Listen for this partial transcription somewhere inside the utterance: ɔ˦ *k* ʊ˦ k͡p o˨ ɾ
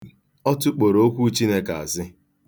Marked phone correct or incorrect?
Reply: incorrect